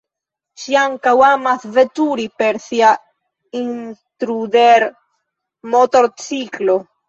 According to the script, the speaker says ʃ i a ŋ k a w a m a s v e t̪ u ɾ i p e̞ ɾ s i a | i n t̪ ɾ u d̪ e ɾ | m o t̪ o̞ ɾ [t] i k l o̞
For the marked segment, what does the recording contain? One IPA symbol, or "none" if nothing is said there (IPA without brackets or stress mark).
t͡s